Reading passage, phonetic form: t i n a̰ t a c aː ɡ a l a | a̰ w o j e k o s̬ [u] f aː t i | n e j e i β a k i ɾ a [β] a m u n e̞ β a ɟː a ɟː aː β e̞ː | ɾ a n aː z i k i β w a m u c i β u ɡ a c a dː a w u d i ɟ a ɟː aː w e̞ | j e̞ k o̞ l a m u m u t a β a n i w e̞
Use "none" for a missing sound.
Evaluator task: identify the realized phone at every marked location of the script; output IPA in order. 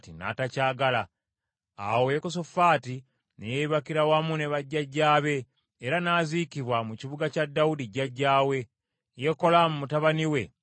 o, w

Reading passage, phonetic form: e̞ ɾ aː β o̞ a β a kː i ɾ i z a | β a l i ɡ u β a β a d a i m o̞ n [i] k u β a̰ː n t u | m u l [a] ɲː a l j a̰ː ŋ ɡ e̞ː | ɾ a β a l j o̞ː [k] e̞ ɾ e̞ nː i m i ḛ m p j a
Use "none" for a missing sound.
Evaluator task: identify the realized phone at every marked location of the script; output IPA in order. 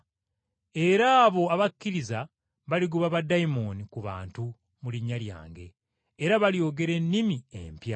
i, i, ɡ

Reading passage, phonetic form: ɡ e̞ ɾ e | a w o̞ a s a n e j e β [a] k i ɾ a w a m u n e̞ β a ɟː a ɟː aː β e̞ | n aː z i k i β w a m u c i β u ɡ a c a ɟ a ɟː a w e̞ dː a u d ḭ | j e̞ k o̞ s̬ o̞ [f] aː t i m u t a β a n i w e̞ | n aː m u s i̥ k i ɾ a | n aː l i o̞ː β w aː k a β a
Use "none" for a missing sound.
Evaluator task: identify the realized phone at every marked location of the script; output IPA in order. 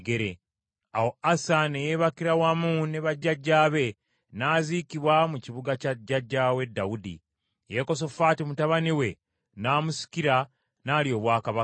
a, f

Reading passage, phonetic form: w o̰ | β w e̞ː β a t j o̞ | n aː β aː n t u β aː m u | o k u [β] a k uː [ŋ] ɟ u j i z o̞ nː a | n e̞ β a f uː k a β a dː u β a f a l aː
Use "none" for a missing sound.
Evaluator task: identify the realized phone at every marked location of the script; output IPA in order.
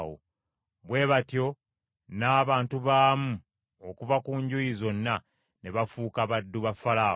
v, ɲ

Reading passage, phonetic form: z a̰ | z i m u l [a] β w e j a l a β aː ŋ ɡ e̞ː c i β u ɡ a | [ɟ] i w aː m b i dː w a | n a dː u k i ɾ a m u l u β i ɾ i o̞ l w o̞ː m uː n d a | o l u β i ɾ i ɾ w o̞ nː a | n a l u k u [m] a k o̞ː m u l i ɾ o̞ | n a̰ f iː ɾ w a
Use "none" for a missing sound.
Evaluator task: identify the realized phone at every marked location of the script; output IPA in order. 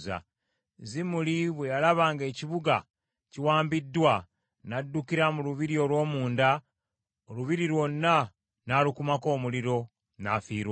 i, c, m

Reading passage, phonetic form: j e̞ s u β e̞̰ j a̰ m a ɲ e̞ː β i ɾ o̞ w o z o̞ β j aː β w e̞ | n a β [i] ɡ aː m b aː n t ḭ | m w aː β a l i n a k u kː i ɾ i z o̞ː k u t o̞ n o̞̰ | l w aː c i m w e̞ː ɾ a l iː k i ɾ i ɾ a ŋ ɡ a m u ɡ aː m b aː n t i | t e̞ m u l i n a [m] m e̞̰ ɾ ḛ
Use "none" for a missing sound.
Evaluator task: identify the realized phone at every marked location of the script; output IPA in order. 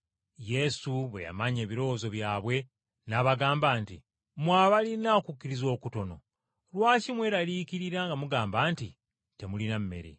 a, m

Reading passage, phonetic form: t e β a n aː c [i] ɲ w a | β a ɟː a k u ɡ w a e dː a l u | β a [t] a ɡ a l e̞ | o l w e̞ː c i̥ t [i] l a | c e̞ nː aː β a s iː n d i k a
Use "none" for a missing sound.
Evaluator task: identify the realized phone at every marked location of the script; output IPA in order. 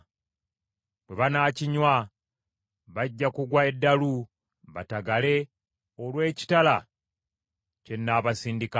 i, t, a

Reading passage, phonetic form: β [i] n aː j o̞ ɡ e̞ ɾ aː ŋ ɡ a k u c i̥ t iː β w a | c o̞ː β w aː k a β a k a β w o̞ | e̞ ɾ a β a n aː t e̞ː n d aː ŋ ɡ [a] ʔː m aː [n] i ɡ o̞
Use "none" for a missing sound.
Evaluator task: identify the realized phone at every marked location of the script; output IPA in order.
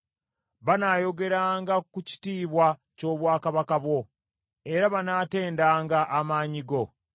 a, a, ɲ

